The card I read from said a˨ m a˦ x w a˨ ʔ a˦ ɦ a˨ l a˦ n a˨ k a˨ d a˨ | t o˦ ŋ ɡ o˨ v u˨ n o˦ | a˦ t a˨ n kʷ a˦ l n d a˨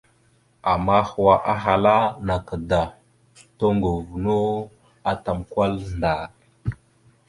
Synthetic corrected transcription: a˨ m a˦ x w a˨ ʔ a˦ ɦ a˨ l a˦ n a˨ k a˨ d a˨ | t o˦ ŋ ɡ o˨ v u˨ n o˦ | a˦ t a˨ m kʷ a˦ l n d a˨